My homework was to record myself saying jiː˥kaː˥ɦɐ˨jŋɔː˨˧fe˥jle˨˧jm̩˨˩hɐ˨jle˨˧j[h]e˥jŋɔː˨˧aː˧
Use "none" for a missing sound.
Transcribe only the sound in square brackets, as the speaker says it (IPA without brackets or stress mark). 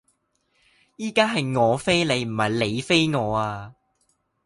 f